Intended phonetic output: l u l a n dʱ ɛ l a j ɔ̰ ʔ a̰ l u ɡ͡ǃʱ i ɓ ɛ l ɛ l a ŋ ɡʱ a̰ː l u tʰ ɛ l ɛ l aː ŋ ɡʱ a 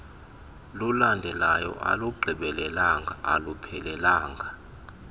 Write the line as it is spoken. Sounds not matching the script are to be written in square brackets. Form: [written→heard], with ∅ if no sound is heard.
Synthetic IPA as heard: l u l a n dʱ ɛ l a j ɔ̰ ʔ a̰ l u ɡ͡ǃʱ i ɓ ɛ l ɛ l a ŋ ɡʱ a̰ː l u [tʰ→pʰ] ɛ l ɛ l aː ŋ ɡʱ a